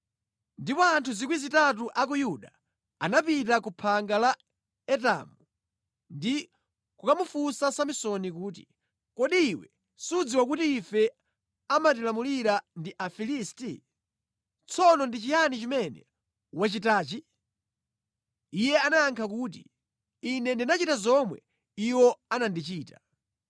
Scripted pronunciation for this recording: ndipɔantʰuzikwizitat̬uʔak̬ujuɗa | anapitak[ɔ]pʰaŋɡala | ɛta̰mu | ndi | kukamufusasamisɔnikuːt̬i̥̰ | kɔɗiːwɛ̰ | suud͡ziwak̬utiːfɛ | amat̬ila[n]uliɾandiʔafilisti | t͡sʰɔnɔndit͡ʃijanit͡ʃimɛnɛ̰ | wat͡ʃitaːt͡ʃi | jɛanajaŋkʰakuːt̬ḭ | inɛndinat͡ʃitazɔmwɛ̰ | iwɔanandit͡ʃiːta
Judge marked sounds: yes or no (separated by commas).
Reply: no, no